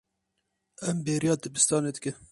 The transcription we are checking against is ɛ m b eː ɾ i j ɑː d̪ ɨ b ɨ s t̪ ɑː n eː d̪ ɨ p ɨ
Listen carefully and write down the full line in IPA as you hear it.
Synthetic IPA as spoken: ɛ m b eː ɾ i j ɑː d̪ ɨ b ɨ s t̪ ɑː n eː d̪ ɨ k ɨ